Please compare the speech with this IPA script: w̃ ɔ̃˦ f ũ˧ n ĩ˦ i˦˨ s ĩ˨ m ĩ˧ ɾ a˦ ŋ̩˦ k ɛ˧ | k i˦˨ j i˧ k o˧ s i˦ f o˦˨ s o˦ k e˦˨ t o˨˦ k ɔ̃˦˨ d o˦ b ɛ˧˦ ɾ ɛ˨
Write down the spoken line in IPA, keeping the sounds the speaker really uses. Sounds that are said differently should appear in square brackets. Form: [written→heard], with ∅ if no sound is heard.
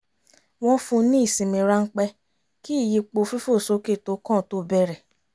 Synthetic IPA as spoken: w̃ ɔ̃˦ f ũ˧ n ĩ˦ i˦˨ s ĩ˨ m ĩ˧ ɾ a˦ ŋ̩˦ [k→k͡p] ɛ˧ | k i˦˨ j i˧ [k→k͡p] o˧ [s→f] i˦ f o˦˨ s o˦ k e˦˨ t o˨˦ k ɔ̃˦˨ [d→t] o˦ b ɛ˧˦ ɾ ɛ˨